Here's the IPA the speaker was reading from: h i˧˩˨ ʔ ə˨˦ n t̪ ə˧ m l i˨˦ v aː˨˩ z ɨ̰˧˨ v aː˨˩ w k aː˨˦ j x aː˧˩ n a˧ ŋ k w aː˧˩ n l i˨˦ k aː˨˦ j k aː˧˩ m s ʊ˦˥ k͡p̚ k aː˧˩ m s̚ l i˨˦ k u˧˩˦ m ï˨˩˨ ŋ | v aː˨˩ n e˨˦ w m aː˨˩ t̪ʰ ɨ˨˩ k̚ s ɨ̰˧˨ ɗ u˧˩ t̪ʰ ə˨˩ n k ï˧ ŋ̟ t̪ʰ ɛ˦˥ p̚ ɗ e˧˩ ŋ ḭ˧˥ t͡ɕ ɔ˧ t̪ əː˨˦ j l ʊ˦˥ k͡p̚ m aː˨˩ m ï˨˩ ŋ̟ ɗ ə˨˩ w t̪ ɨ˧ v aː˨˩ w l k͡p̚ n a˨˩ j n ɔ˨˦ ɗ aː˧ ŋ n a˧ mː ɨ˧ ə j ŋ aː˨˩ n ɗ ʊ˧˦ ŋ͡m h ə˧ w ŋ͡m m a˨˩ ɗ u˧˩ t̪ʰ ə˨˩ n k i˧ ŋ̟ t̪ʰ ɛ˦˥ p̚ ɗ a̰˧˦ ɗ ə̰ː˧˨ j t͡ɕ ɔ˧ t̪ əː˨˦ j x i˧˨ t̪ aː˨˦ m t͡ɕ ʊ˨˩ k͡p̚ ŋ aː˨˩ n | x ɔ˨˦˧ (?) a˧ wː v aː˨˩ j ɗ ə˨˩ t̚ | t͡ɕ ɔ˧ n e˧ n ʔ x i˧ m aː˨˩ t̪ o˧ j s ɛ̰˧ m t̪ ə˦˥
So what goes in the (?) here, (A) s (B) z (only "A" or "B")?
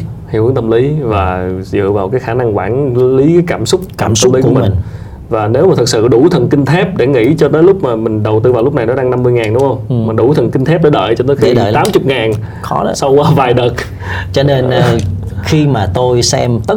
A